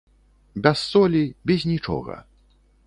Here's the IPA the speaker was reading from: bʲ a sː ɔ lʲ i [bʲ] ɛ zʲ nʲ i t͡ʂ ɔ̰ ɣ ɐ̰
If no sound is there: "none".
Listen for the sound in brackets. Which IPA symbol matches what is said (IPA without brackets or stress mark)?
bʲ